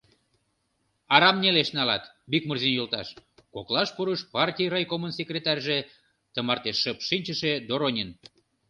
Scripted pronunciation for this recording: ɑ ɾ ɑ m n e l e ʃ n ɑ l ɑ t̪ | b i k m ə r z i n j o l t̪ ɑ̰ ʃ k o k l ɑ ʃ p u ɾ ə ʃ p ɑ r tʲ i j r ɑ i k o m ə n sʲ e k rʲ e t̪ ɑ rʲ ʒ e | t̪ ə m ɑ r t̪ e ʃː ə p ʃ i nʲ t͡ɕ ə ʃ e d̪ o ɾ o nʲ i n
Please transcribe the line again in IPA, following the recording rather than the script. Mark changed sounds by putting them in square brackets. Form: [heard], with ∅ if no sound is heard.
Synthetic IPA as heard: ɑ ɾ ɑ m n e l e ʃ n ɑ l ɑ t̪ | b i k m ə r z i n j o l t̪ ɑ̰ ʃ k o k l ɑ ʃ p u ɾ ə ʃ p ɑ r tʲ i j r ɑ [j] k o m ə n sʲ e k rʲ e t̪ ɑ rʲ ʒ e | t̪ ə m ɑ r t̪ e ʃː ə p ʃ i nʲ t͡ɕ ə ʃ e d̪ o ɾ o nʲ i n

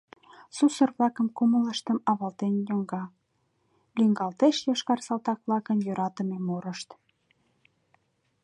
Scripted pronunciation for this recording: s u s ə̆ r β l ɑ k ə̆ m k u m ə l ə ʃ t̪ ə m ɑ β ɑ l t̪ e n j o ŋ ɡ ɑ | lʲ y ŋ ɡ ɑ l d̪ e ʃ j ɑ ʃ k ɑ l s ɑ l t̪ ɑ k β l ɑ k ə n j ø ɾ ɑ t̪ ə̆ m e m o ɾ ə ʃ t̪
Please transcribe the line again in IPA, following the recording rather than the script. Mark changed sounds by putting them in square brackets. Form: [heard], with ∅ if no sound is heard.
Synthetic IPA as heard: s u s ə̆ r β l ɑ k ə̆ m k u m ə l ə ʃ t̪ ə m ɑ β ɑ l t̪ e n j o ŋ ɡ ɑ | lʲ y ŋ ɡ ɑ l [t̪] e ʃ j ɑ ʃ k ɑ [r] s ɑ l t̪ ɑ k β l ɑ k ə n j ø ɾ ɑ t̪ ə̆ m e m o ɾ ə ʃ t̪

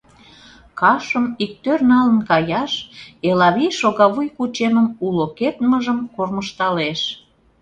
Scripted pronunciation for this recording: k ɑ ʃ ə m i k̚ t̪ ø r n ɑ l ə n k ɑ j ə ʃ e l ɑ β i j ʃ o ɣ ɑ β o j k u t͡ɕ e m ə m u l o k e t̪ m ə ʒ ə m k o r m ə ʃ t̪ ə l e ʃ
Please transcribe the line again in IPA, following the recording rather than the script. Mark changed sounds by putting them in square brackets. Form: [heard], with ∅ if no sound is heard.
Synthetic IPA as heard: k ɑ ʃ ə m i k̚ t̪ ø r n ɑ l ə n k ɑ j [ɑ] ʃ e l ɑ β i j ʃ o ɣ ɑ β [u] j k u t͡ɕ e m ə m u l o k e t̪ m ə ʒ ə m k o r m ə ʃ t̪ [ɑ] l e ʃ

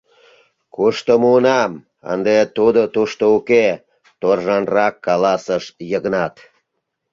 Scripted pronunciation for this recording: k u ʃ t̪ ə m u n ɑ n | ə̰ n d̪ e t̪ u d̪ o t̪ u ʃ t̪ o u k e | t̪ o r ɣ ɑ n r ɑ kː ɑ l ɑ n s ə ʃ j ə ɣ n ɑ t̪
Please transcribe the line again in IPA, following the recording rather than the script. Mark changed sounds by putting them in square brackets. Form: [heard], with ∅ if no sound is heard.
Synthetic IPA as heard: k u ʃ t̪ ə m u n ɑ [m] | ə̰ n d̪ e t̪ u d̪ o t̪ u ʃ t̪ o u k e | t̪ o r [ʒ] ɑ n r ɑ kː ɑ l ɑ [∅] s ə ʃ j ə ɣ n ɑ t̪

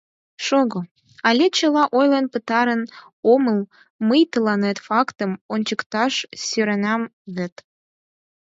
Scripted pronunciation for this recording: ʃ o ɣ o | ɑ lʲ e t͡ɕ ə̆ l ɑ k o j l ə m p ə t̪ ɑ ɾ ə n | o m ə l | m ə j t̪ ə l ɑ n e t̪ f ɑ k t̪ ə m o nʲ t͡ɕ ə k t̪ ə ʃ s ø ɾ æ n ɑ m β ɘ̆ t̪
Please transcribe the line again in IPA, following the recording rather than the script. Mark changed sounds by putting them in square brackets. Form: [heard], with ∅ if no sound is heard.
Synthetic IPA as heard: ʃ o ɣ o | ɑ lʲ e t͡ɕ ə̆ l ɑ [ʔ] o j l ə [n] p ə t̪ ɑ ɾ ə n | o m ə l | m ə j t̪ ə l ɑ n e t̪ f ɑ k t̪ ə m o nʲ t͡ɕ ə k t̪ [ɑ] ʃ s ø ɾ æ n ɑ m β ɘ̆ t̪

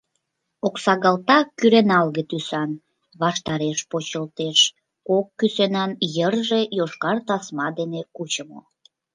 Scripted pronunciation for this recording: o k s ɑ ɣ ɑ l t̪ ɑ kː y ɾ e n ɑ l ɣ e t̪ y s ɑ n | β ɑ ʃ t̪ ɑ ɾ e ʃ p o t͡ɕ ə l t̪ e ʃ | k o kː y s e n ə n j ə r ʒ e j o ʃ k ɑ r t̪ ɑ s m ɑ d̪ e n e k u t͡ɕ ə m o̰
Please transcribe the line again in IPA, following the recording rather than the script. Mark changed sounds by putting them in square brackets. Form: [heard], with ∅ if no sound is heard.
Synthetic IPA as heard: o k s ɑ ɣ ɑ l t̪ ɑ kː y ɾ e n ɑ l ɣ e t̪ y s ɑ n | β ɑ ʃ t̪ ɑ ɾ e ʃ p o t͡ɕ ə l t̪ e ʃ | k o kː y s e n [ɑ] n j ə r ʒ e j o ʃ k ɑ r t̪ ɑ s m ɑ d̪ e n e k u t͡ɕ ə m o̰

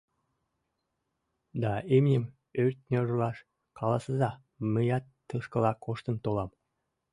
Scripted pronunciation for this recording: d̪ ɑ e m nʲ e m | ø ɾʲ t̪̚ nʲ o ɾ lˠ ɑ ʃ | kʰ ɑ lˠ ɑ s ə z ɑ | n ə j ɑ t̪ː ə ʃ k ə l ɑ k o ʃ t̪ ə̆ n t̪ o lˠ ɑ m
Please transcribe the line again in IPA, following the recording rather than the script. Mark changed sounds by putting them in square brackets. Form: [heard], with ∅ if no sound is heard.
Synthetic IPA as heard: d̪ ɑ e m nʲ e m | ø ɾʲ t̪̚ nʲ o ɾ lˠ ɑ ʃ | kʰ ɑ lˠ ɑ s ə z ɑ | [m] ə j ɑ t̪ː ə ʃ k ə l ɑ k o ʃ t̪ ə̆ n t̪ o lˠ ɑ m

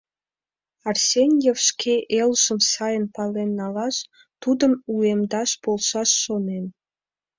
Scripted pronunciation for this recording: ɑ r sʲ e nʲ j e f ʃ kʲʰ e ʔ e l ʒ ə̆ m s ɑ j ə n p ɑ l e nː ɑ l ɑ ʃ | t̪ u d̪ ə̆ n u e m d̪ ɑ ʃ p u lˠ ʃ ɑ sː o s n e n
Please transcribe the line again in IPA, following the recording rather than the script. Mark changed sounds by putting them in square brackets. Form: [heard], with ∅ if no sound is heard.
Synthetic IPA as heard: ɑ r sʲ e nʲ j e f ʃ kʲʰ e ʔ e l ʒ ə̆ m s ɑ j ə n p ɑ l e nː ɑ l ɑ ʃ | t̪ u d̪ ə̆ [m] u e m d̪ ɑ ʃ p [o] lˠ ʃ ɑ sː o [∅] n e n

